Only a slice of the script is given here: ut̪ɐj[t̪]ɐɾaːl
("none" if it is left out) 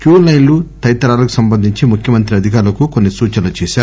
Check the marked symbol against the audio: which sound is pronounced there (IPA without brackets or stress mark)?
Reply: t̪